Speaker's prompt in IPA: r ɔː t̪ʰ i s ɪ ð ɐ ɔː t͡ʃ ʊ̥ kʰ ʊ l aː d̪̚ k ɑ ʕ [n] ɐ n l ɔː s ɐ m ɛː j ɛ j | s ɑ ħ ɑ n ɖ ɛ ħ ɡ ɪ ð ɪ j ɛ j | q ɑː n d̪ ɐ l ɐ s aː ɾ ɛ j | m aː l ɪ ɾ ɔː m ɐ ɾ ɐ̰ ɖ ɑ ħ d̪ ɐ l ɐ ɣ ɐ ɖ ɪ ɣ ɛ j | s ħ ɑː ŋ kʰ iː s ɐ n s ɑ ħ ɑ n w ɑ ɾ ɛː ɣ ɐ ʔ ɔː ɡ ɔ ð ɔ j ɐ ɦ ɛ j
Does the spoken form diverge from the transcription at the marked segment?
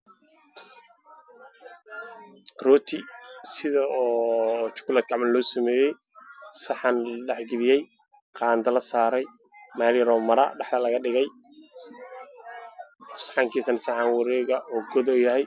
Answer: yes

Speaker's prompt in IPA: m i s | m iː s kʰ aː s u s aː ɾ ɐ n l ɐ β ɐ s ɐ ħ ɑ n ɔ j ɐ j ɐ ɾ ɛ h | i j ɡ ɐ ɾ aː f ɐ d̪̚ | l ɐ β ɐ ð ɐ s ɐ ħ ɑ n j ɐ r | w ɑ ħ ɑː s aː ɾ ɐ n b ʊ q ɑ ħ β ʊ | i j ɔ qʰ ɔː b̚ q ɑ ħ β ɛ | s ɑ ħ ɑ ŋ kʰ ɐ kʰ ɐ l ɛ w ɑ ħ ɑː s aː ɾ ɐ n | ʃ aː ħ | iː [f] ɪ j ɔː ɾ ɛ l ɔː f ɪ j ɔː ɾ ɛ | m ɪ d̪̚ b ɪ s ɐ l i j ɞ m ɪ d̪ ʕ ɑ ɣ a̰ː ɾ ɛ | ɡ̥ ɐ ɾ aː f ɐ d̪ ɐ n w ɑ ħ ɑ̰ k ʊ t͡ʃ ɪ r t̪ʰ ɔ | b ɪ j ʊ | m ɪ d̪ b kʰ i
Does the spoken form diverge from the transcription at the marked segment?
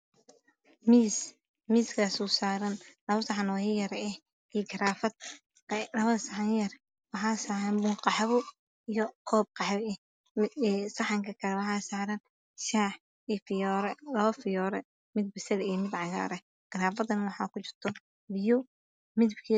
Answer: no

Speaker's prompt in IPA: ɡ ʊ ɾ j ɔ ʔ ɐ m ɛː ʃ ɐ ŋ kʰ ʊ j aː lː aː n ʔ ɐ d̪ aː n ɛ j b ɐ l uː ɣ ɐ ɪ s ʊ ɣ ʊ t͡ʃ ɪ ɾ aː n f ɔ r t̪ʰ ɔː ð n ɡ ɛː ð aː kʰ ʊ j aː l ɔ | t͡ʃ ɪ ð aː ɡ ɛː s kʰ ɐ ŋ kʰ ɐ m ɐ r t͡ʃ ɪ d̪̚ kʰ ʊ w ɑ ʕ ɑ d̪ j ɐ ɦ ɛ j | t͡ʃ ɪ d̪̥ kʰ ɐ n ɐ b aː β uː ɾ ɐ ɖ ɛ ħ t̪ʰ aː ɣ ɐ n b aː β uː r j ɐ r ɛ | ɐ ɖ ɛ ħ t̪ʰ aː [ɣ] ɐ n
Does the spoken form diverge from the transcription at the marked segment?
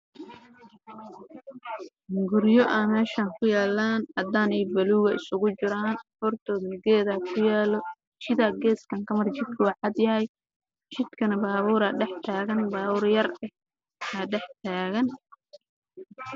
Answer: no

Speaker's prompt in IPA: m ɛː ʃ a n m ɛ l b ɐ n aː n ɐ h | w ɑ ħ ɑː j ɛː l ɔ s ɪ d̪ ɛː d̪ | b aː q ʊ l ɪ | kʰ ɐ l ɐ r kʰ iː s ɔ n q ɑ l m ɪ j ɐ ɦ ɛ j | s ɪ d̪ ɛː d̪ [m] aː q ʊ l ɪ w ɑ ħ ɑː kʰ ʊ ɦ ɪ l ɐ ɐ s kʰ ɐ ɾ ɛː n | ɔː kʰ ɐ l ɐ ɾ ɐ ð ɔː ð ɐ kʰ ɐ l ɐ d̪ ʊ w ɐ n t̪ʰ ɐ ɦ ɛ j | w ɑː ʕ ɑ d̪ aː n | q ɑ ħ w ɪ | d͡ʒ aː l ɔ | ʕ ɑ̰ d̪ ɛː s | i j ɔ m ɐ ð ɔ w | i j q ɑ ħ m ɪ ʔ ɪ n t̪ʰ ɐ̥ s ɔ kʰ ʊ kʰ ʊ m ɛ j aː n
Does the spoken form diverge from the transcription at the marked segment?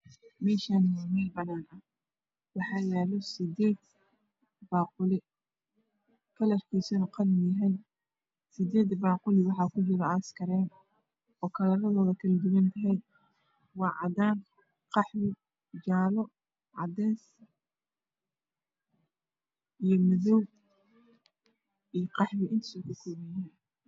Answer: yes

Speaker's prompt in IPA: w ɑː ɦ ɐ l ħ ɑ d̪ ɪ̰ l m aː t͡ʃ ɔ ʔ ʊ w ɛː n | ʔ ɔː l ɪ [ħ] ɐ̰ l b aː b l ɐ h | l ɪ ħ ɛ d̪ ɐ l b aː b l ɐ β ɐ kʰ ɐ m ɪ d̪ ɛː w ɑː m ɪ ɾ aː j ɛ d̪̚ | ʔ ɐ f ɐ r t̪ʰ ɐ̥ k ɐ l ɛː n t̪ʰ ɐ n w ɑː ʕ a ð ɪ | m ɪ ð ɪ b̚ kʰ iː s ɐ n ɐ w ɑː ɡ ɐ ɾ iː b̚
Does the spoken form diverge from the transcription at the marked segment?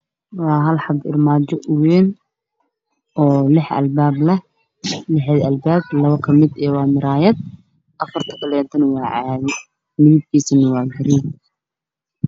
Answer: no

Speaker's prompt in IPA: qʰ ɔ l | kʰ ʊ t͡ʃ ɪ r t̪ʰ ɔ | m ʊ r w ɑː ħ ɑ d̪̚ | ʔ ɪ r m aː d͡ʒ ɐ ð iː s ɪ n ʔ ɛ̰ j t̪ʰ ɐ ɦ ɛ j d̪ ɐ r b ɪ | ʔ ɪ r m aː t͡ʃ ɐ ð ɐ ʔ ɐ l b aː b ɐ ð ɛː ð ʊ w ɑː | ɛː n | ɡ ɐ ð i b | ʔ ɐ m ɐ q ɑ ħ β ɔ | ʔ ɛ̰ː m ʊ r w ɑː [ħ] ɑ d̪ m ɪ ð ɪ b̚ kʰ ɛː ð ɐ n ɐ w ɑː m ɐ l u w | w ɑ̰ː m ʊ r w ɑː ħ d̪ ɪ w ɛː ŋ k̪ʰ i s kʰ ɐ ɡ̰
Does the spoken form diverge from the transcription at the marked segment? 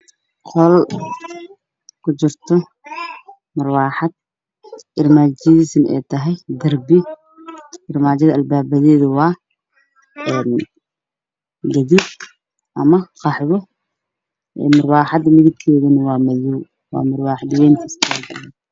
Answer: no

